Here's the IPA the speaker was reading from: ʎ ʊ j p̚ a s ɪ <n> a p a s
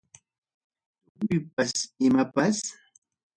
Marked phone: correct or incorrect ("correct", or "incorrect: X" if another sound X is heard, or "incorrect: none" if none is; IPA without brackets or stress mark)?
incorrect: m